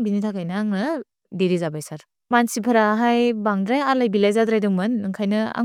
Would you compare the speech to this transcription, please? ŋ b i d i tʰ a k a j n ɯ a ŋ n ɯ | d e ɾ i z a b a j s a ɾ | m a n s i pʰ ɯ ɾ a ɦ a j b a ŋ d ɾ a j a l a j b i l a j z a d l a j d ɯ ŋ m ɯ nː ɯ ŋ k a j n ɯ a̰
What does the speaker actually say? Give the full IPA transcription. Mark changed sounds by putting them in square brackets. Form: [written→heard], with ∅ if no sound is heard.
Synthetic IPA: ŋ b i [d→n] i tʰ a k a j n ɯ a ŋ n ɯ | d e ɾ i z a b a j s a ɾ | m a n s i pʰ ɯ ɾ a ɦ a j b a ŋ d ɾ a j a l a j b i l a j z a d [l→ɾ] a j d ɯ ŋ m ɯ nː ɯ ŋ [k→kʰ] a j n ɯ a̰